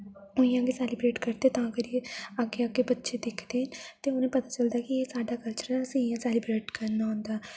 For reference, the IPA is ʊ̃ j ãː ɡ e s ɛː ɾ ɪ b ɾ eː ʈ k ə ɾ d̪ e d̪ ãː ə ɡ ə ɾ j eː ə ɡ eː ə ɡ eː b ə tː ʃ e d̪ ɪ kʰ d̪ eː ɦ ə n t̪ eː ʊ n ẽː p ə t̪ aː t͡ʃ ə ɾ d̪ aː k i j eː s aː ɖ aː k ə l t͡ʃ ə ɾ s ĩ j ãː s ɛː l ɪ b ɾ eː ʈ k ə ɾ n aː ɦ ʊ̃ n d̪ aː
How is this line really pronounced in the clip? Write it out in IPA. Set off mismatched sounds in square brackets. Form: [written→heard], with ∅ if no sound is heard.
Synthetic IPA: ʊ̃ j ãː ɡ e s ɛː [ɾ→l] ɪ b ɾ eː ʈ k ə ɾ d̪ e [d̪→t̪] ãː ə ɡ ə ɾ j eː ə ɡ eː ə ɡ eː b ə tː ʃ e d̪ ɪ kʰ d̪ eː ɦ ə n t̪ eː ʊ n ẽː p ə t̪ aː t͡ʃ ə [ɾ→l] d̪ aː k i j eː s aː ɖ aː k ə l t͡ʃ ə ɾ s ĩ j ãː s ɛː l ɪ b ɾ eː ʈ k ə ɾ n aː ɦ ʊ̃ n d̪ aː